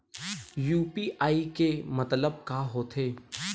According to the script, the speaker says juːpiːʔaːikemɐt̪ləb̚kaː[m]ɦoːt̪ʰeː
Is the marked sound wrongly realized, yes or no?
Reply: yes